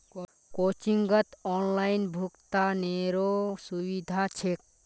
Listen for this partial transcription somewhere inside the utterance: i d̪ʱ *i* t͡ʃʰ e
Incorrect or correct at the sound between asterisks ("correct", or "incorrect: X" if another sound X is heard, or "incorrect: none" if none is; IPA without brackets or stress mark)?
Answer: incorrect: a